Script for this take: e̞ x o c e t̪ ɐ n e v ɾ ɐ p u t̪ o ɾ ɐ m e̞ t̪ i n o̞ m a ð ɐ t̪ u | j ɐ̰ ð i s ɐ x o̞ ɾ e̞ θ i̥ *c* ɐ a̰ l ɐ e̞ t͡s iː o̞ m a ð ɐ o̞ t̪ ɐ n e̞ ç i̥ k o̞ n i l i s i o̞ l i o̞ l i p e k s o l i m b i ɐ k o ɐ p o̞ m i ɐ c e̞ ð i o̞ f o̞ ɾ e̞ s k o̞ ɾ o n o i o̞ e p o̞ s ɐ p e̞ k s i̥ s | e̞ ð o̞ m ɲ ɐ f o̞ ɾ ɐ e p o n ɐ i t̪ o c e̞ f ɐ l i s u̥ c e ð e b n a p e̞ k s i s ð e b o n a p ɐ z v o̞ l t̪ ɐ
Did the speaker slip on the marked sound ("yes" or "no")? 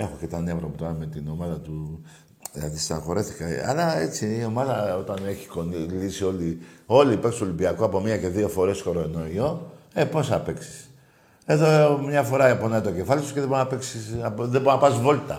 yes